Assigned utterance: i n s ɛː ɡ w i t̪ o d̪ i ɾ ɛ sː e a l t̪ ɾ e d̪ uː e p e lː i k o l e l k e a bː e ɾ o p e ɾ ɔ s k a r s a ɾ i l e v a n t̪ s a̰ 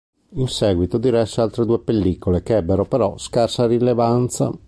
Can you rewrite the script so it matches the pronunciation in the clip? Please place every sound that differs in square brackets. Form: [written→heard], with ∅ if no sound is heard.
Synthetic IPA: i n s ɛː ɡ w i t̪ o d̪ i ɾ ɛ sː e a l t̪ ɾ e d̪ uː e p e lː i k o l e [l→∅] k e [a→ɛ] bː e ɾ o p e ɾ ɔ s k a r s a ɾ i l e v a n t̪ s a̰